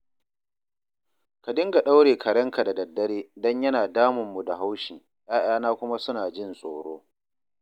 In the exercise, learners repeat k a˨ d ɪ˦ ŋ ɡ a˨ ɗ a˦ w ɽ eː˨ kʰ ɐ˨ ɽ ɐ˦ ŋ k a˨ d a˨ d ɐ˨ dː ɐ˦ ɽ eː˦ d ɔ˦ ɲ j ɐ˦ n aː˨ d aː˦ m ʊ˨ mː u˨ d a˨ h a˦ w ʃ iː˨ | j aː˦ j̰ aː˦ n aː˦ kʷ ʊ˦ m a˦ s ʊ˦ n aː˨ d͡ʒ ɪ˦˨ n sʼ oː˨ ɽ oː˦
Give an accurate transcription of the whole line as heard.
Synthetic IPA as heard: k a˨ d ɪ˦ ŋ ɡ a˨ ɗ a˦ w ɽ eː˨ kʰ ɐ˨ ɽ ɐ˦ ŋ k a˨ d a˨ d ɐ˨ dː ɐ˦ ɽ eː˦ d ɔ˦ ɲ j ɐ˦ n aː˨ d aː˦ m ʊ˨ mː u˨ d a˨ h a˦ w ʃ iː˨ | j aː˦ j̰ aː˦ n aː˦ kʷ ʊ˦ m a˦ s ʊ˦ n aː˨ d͡ʒ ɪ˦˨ n sʼ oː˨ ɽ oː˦

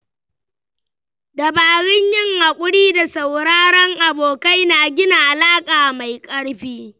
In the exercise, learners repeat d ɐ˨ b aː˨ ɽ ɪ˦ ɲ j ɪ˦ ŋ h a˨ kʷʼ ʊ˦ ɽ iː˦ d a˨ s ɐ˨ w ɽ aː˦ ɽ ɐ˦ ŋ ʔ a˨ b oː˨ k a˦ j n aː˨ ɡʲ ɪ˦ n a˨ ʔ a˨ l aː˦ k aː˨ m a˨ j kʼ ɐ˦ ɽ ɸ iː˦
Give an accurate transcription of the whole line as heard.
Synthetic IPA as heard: d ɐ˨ b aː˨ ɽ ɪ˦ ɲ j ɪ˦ ŋ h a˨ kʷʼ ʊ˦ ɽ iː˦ d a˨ s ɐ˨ w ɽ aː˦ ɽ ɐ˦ ŋ ʔ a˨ b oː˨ k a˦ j n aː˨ ɡʲ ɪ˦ n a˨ ʔ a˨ l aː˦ kʼ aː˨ m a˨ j kʼ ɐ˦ ɽ ɸ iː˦

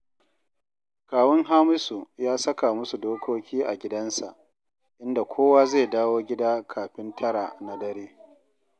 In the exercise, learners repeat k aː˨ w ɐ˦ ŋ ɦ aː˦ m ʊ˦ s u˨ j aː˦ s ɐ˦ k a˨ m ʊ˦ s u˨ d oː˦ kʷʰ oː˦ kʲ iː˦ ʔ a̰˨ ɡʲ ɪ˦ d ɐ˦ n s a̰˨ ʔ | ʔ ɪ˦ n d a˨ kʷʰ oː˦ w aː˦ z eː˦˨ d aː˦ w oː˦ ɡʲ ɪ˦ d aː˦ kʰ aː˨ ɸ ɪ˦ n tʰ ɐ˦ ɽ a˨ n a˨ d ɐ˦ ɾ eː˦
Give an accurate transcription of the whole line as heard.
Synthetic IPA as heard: k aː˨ w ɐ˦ ŋ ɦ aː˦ m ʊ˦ s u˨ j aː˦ s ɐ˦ k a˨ m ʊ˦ s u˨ d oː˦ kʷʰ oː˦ kʲ iː˦ ʔ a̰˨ ɡʲ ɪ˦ d ɐ˦ n s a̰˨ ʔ | ʔ ɪ˦ n d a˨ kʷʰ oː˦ w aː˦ z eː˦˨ d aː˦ w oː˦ ɡʲ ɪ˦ d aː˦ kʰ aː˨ ɸ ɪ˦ n tʰ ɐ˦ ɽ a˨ n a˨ d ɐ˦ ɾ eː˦

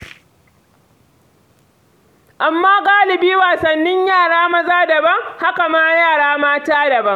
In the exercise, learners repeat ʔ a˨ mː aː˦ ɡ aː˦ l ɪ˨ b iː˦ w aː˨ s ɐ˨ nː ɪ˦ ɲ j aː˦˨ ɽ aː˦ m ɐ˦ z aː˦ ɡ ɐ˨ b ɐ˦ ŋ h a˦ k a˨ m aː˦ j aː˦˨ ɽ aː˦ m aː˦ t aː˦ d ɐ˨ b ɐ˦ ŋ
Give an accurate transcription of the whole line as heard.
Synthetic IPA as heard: ʔ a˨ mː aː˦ ɡ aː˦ l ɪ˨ b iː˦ w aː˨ s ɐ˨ nː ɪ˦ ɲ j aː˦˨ ɽ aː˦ m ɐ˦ z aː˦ d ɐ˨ b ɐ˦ ŋ h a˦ k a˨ m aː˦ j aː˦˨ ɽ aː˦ m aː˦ t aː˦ d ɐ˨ b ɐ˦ ŋ

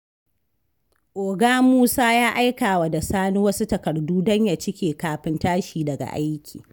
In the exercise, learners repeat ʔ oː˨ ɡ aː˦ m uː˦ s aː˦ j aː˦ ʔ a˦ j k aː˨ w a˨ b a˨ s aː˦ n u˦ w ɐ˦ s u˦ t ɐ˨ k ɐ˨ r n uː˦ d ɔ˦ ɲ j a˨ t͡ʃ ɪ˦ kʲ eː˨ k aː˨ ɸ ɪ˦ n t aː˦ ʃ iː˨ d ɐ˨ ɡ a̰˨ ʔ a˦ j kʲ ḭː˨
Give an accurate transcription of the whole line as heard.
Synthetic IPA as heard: ʔ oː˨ ɡ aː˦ m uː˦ s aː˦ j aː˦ ʔ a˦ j k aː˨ w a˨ d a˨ s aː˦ n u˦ w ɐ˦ s u˦ t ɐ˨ k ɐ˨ r d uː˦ d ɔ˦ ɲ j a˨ t͡ʃ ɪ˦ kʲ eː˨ k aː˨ ɸ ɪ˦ n t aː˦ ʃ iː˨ d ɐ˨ ɡ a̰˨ ʔ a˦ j kʲ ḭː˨

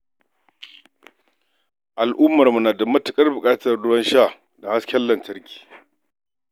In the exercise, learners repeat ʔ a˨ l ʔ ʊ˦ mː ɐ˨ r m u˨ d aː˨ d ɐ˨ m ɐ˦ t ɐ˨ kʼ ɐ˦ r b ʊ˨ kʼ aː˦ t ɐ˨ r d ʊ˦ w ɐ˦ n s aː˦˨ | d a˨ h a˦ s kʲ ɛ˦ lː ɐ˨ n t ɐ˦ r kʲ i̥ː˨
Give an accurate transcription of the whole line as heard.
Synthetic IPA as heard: ʔ a˨ l ʔ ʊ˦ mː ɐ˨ r m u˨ n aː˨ d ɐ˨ m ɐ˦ t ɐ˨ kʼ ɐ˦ r b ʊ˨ kʼ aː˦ t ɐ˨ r d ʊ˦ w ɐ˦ n ʃ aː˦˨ | d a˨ h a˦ s kʲ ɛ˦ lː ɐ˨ n t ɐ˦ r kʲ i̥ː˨

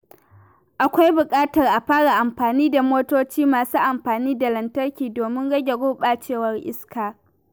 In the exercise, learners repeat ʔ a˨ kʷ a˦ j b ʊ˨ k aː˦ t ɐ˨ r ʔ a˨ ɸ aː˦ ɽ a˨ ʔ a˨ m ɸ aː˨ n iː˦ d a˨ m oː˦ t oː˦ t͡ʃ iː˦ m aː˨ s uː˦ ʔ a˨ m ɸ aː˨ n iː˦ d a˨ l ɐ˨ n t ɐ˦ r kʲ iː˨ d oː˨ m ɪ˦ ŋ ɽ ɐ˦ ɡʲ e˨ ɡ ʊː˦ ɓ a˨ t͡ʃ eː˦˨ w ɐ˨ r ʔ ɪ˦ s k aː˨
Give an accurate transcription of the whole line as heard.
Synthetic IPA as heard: ʔ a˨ kʷ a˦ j b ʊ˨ kʼ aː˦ t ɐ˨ r ʔ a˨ ɸ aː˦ ɽ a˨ ʔ a˨ m ɸ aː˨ n iː˦ d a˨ m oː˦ t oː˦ t͡ʃ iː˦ m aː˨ s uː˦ ʔ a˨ m ɸ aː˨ n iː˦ d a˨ l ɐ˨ n t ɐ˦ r kʲ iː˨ d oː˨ m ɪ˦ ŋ ɽ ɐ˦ ɡʲ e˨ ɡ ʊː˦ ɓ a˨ t͡ʃ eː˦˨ w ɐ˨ r ʔ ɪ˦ s k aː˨

